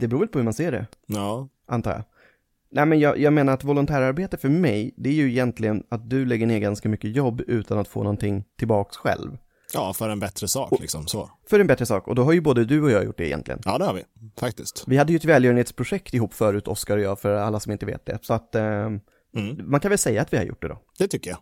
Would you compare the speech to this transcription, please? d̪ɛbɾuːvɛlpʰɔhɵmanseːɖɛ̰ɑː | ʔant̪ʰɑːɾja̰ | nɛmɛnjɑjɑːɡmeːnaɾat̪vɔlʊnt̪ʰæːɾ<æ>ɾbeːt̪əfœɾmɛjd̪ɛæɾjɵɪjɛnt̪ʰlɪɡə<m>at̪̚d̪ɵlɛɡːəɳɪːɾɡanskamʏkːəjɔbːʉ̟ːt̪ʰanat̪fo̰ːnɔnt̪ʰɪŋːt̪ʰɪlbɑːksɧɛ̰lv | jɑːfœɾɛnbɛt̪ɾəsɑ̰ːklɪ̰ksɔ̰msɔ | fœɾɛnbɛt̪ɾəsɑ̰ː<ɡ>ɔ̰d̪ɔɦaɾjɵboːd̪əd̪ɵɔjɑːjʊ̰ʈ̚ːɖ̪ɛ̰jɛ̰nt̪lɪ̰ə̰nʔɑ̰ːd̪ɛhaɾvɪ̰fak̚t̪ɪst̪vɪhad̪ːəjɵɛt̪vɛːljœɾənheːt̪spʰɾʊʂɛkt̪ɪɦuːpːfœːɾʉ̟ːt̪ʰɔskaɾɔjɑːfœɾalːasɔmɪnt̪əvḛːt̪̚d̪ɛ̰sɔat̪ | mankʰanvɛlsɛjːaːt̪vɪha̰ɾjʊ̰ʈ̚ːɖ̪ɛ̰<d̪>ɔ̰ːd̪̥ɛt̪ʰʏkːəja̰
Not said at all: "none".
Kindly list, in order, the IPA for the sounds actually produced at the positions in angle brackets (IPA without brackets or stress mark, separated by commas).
a, n, k, d̪